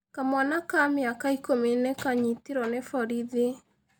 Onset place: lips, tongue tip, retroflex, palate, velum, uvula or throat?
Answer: velum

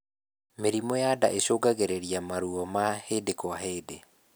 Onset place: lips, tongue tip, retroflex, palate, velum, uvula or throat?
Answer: lips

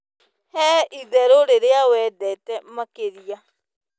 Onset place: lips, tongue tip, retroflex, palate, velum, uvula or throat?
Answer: throat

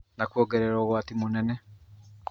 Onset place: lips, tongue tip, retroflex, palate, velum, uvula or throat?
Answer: tongue tip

